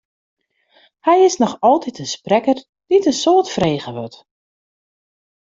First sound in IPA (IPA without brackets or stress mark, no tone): h